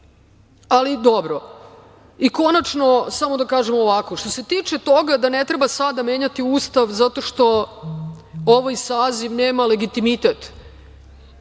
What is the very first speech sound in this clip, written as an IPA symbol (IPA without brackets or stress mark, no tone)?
a